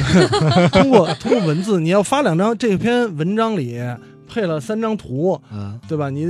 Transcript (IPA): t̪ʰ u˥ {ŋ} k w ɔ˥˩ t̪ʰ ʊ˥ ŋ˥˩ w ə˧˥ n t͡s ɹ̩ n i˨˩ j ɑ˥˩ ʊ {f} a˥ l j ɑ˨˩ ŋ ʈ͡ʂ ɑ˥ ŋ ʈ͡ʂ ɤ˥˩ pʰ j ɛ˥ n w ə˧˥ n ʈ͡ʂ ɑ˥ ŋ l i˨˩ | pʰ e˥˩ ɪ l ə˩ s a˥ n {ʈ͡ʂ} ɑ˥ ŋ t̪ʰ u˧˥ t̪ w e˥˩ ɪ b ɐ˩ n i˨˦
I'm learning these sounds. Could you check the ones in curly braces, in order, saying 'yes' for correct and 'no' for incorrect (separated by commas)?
yes, yes, yes